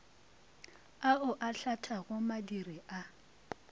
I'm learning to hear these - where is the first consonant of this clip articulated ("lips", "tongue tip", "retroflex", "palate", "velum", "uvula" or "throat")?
throat